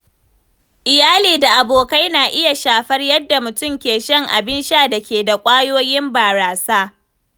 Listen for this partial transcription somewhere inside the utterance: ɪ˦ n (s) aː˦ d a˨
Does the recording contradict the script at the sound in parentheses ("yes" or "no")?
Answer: yes